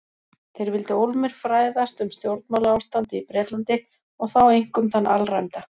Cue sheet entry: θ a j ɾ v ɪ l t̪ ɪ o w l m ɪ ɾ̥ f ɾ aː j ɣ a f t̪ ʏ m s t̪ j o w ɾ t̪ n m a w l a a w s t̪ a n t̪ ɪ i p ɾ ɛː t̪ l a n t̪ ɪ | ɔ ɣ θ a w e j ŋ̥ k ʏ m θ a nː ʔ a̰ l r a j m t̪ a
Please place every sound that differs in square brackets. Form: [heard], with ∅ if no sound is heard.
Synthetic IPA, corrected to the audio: θ [e] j ɾ v ɪ l t̪ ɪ o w l m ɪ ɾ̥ f ɾ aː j [ð] a [s] t̪ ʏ m s t̪ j o w ɾ t̪ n m a w l a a w s t̪ a n t̪ ɪ i p ɾ ɛː t̪ l a n t̪ ɪ | ɔ ɣ θ a w e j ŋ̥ k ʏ m θ a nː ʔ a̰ l r a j m t̪ a